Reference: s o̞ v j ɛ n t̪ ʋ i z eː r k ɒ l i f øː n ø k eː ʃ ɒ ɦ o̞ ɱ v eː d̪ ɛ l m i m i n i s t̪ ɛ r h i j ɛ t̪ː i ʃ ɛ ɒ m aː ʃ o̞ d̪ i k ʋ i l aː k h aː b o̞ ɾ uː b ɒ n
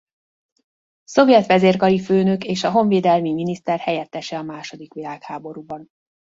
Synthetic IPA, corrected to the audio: s o̞ v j ɛ t̪ ʋ ɛ z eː r k ɒ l i f øː n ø k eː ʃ ɒ ɦ o̞ ɱ v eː d̪ ɛ l m i m i n i s t̪ ɛ r h ɛ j ɛ t̪ː ɛ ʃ ɛ ɒ m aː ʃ o̞ d̪ i k ʋ i l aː k h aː b o̞ ɾ uː b ɒ n